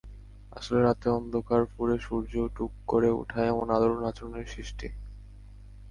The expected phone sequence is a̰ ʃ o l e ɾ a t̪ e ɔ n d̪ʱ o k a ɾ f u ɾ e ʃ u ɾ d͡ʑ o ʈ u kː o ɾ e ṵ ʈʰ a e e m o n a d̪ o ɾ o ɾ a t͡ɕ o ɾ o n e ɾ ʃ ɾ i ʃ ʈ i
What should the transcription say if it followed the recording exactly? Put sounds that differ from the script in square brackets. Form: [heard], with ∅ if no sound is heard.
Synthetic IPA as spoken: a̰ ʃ o l e ɾ a t̪ e ɔ n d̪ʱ o k a ɾ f u ɾ e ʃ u ɾ d͡ʑ o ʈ u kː o ɾ e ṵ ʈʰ a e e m o n a d̪ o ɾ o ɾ a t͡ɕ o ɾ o n e ɾ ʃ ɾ i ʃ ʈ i